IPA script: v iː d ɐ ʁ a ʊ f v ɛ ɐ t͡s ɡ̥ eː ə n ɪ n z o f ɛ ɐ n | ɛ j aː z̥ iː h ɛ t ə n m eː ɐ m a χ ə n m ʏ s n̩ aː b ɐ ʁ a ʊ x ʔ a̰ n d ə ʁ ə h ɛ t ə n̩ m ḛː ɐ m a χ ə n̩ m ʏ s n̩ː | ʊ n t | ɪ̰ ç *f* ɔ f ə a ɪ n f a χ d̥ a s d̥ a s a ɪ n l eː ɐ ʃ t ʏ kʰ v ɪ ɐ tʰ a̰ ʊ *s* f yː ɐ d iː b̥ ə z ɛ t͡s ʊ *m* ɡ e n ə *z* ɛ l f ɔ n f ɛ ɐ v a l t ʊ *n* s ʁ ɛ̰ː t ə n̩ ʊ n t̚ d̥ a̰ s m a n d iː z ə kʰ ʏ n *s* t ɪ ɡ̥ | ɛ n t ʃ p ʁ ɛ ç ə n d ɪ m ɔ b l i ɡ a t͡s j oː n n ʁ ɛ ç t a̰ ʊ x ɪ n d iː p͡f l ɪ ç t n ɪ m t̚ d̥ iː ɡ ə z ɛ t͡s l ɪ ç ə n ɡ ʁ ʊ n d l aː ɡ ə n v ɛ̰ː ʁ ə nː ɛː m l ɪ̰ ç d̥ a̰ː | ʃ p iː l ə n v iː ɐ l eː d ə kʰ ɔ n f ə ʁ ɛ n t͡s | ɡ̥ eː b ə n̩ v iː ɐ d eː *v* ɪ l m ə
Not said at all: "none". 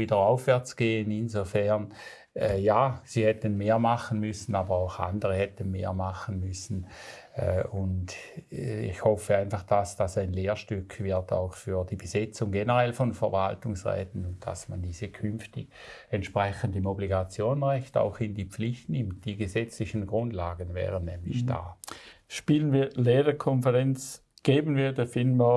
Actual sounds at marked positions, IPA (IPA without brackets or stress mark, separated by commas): h, x, ŋ, ʁ, ŋ, f, f